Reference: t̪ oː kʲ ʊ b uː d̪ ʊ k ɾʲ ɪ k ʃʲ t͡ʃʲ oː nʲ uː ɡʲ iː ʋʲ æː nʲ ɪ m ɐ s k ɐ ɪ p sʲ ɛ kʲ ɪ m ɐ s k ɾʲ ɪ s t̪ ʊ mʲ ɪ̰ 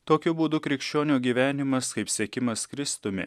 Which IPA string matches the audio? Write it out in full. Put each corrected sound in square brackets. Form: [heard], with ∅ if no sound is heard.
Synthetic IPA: t̪ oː kʲ ʊ b uː d̪ ʊ k ɾʲ ɪ k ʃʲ t͡ʃʲ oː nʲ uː ɡʲ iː ʋʲ æː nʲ ɪ m ɐ s k ɐ ɪ p sʲ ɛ kʲ ɪ m ɐ s k ɾʲ ɪ s t̪ ʊ mʲ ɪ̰